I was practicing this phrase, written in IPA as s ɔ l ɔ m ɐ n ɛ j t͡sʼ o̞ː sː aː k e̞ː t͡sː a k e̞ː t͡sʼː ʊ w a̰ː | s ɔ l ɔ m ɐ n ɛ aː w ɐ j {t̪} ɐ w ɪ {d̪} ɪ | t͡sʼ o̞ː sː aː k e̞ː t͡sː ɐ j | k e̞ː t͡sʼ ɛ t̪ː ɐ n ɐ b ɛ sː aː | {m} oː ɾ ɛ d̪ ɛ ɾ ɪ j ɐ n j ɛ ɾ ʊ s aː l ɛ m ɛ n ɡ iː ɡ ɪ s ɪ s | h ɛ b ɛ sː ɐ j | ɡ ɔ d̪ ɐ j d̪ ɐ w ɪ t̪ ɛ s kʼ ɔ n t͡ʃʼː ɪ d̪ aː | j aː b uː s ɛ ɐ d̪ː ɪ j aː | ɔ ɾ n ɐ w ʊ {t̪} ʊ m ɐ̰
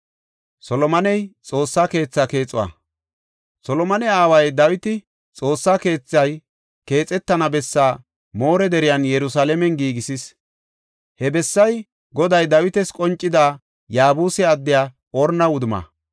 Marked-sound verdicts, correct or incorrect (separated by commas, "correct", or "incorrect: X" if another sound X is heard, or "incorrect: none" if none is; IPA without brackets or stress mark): incorrect: d̪, incorrect: t̪, correct, incorrect: d̪